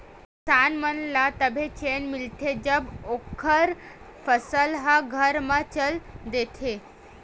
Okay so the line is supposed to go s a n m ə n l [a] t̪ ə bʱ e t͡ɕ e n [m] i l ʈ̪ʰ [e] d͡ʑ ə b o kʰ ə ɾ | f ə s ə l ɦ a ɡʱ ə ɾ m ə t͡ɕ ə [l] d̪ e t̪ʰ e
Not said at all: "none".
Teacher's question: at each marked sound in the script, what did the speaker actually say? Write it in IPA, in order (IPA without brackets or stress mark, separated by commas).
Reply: a, m, e, l